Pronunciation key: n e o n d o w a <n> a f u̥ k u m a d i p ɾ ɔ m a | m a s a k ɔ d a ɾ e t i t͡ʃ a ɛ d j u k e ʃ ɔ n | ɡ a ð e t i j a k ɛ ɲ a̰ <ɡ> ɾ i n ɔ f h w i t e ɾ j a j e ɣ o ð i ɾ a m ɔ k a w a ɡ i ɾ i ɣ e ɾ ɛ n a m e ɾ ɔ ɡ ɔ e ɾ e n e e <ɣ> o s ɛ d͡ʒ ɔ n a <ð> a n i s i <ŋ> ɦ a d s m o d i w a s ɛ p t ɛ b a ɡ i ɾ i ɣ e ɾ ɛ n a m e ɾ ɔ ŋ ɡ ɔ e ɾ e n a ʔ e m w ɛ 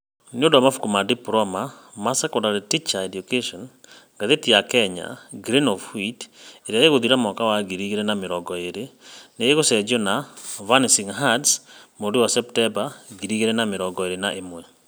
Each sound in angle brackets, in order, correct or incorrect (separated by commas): incorrect, correct, correct, incorrect, correct